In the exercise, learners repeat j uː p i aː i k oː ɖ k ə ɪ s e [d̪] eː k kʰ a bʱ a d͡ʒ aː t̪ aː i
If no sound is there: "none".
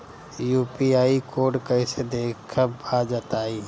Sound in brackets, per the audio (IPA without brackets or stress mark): d̪